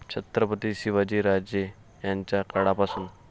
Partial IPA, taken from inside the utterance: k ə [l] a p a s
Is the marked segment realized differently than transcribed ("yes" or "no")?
yes